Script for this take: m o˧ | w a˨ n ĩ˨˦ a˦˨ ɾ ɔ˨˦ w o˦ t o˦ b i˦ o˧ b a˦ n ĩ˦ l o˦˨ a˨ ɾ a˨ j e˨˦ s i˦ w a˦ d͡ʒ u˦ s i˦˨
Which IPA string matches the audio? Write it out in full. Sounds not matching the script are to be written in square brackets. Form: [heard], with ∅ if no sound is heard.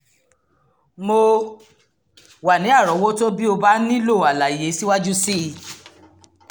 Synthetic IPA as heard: m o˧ | w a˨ n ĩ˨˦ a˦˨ ɾ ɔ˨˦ w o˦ t o˦ b i˦ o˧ b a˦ n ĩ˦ l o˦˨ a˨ [l] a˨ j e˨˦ s i˦ w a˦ d͡ʒ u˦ s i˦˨